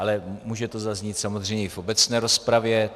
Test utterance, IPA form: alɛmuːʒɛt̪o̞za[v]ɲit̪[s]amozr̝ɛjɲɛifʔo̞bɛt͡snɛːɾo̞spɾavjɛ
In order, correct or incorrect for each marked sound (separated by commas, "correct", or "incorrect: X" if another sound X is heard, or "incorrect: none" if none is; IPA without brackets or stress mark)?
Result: incorrect: z, correct